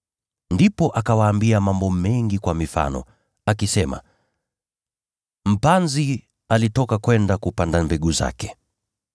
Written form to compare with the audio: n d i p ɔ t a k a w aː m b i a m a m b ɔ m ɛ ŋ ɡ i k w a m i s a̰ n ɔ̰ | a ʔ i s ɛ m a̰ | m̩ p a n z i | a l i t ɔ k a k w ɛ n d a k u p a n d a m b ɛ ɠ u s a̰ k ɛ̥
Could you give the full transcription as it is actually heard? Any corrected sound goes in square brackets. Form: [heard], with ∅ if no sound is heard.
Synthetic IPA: n d i p ɔ [ʔ] a k a w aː m b i a m a m b ɔ m ɛ ŋ ɡ i k w a m i [f] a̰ n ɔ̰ | a [k] i s ɛ m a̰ | m̩ p a n z i | a l i t ɔ k a k w ɛ n d a k u p a n d a m b ɛ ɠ u [z] a̰ k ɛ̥